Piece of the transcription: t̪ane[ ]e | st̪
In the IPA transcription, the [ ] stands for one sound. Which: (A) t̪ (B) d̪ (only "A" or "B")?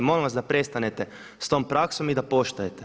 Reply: A